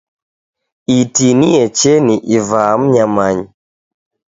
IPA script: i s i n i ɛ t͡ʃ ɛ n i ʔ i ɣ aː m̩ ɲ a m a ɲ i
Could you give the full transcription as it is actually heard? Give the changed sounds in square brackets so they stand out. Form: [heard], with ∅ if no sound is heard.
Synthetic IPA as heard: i [t] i n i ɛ t͡ʃ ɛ n i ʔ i [v] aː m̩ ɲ a m a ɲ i